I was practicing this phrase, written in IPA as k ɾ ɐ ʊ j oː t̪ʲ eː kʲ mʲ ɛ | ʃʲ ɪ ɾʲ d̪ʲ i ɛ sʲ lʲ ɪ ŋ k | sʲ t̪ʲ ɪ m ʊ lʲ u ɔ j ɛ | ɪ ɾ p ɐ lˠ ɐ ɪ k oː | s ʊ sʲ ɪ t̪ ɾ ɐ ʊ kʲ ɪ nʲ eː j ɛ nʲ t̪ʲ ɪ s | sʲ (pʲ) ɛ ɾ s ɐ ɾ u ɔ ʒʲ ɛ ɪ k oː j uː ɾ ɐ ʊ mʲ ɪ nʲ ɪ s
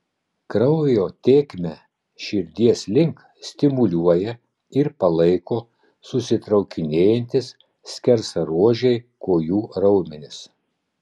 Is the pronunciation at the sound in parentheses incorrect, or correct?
incorrect